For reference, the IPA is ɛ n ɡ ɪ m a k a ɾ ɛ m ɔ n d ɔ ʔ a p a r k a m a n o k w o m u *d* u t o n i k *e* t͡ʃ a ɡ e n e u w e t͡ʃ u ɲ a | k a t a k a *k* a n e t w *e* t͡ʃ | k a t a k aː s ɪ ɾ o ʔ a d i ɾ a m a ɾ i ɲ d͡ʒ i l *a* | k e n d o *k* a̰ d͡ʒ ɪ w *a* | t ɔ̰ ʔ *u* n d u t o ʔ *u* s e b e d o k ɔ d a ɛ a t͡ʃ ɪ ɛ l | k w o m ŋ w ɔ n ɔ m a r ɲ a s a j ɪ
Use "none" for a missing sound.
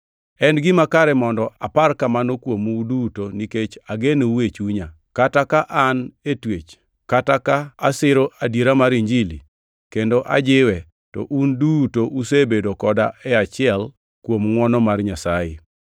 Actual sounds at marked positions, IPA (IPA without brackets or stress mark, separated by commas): d, e, ʔ, e, i, ʔ, ɛ, u, u